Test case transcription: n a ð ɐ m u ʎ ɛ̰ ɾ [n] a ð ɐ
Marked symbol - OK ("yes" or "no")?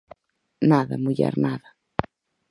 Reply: yes